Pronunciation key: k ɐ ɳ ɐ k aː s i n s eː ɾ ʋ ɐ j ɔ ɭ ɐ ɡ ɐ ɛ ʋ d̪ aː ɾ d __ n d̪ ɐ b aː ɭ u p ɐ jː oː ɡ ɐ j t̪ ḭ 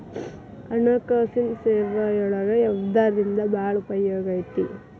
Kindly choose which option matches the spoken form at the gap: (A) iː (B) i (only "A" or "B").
B